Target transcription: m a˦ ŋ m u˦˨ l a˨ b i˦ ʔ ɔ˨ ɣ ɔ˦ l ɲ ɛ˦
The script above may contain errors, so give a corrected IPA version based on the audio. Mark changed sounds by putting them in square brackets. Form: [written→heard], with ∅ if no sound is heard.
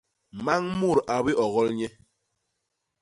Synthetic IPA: m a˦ ŋ m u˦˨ [l→ɾ] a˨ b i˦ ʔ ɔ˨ ɣ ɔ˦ l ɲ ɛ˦